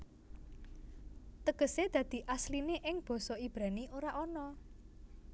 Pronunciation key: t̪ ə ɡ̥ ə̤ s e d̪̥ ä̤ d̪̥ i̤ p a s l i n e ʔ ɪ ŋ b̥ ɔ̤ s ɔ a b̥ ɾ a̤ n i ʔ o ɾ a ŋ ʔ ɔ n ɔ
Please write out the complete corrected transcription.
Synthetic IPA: t̪ ə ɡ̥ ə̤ s e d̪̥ ä̤ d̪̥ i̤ ʔ a s l i n e ʔ ɪ ŋ b̥ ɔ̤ s ɔ i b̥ ɾ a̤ n i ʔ o ɾ a ʔ ɔ n ɔ